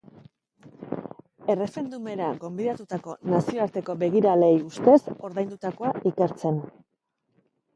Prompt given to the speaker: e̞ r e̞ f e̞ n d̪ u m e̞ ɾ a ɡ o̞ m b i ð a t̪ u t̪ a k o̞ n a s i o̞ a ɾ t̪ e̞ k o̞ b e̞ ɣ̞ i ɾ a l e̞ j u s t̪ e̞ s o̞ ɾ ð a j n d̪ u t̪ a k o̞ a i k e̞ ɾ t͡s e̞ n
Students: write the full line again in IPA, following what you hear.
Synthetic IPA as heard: e̞ r e̞ f e̞ n d̪ u m e̞ ɾ a ɡ o̞ m b i ð a t̪ u t̪ a k o̞ n a s i o̞ a ɾ t̪ e̞ k o̞ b e̞ ɣ̞ i ɾ a l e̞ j u s t̪ e̞ s o̞ ɾ ð a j n d̪ u t̪ a k o̞ a i k e̞ ɾ t͡s e̞ n